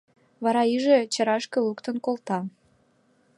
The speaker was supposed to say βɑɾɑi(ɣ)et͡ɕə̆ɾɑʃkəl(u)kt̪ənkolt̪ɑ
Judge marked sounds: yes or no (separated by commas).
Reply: no, yes